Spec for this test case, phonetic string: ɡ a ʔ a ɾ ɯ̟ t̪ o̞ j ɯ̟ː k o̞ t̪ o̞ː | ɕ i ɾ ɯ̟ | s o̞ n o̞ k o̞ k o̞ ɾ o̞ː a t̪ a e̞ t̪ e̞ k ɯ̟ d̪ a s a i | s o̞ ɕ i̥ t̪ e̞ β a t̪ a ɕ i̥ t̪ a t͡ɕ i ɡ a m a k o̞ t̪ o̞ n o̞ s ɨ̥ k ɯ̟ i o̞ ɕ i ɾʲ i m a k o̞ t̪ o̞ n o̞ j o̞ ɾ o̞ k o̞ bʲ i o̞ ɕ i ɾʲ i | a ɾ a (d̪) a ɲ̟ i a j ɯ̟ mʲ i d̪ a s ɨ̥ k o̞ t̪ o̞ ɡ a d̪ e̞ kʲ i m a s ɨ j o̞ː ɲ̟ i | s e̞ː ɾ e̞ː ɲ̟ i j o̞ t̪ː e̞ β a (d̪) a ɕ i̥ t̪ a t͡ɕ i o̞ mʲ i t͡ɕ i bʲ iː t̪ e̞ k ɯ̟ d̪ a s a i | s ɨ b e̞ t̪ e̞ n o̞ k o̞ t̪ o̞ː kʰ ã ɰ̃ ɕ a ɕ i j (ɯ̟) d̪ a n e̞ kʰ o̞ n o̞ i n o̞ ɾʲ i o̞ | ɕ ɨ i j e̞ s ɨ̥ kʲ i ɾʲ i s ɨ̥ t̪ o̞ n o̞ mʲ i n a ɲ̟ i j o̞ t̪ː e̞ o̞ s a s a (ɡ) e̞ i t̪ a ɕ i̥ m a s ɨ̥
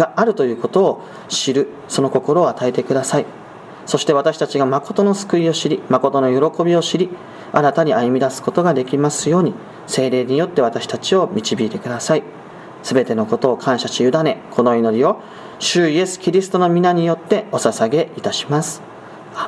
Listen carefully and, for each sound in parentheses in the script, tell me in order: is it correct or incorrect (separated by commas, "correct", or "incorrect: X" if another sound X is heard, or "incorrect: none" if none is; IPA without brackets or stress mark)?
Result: incorrect: t̪, incorrect: t̪, correct, correct